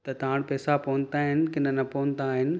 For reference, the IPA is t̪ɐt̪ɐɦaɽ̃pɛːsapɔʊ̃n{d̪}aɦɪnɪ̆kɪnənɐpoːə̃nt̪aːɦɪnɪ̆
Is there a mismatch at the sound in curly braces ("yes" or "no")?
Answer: yes